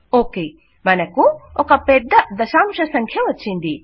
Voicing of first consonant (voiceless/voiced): voiceless